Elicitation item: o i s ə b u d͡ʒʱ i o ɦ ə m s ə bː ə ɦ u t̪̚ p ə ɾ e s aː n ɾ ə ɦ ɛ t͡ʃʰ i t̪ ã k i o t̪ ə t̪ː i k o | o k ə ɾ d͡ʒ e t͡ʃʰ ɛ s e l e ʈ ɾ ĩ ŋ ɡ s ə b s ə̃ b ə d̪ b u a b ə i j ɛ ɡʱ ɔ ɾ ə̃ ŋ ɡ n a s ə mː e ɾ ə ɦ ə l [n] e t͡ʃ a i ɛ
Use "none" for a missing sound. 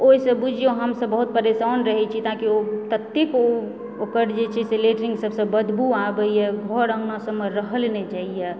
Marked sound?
n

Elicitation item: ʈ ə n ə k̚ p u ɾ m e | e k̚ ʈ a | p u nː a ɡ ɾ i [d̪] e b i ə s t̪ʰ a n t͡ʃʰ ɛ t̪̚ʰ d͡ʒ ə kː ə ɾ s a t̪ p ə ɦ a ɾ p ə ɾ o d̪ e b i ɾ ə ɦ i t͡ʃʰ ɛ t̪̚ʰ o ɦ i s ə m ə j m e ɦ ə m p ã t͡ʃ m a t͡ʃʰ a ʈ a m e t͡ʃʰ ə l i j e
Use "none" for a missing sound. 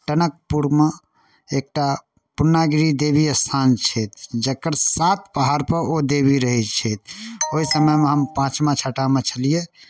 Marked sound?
d̪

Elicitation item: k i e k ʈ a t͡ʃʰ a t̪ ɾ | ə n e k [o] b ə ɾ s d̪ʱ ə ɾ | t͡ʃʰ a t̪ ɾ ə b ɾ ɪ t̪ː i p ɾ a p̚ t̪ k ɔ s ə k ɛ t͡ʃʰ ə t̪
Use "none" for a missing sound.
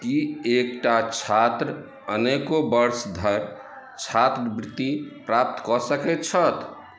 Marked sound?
o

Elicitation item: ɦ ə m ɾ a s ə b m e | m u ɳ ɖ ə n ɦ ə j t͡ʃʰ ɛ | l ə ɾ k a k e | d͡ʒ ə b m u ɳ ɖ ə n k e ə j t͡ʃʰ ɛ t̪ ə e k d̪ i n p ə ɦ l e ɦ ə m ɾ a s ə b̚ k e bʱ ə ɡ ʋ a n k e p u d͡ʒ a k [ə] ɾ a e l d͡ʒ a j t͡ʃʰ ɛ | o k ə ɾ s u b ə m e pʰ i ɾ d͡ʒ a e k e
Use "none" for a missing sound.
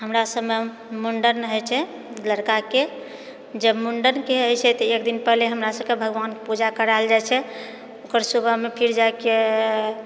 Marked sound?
ə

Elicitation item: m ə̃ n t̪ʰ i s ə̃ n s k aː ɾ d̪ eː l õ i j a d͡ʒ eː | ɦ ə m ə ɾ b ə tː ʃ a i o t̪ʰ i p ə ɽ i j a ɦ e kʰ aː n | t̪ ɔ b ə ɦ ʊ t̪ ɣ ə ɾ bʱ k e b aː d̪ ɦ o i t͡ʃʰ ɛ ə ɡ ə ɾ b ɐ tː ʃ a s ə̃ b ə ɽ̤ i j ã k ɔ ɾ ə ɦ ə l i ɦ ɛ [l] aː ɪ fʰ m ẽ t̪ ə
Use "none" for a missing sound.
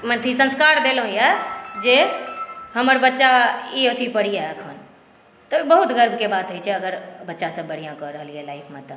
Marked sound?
l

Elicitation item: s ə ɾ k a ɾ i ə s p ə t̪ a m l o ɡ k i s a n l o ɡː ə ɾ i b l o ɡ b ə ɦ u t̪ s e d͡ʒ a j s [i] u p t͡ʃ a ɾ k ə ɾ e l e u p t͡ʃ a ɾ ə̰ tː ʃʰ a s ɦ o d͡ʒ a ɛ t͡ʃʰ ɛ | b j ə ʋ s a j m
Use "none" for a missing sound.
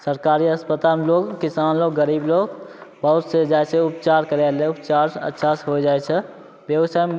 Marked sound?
e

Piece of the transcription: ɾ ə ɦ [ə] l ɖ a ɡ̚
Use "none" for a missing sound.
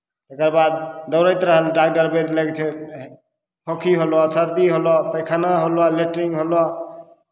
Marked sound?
ə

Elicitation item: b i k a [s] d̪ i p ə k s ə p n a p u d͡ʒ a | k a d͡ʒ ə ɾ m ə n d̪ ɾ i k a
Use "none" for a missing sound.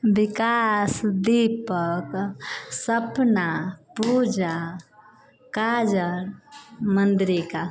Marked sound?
s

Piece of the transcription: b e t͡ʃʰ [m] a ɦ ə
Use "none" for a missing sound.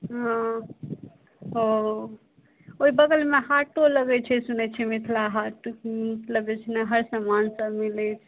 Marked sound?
n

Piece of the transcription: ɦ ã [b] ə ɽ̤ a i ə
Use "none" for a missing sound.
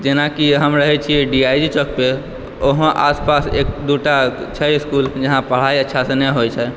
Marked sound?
p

